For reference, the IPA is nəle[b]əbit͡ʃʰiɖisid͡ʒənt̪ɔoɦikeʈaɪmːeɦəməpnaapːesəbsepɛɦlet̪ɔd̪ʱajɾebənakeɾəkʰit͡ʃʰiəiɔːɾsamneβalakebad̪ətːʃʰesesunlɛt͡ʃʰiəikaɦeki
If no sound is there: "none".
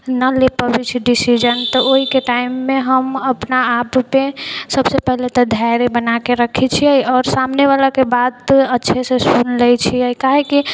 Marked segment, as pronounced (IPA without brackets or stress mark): p